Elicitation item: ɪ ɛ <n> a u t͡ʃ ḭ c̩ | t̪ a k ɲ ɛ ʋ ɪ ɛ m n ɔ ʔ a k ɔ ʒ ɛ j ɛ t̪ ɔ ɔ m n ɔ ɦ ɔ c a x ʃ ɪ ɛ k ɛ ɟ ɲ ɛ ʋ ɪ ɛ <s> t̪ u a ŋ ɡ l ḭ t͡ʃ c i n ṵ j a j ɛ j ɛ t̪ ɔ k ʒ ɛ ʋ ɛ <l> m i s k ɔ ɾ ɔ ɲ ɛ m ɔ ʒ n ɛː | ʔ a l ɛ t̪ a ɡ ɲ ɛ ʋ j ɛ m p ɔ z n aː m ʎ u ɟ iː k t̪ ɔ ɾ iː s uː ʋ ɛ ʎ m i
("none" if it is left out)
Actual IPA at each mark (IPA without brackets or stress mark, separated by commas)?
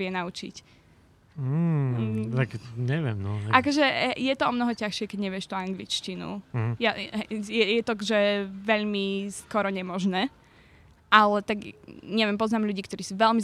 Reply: n, ʃ, ʎ